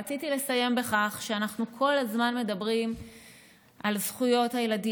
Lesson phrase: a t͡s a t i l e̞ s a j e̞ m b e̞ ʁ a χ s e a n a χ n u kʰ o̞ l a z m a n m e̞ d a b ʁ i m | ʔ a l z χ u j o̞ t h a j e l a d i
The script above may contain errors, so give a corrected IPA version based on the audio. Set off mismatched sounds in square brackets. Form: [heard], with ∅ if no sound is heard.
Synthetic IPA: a t͡s [i] t i l e̞ s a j e̞ m b e̞ [χ] a χ [ʃ] e a n a χ n u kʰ o̞ l a z m a n m e̞ d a b ʁ i m | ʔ a l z χ u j o̞ t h a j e l a d i